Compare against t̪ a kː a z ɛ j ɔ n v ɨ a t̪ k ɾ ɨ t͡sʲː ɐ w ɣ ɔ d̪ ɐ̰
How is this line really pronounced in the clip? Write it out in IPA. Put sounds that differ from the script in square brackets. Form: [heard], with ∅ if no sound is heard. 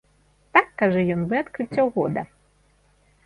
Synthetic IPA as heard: t̪ a kː a [ʐ] ɛ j ɔ n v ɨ a t̪ k ɾ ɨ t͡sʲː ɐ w ɣ ɔ d̪ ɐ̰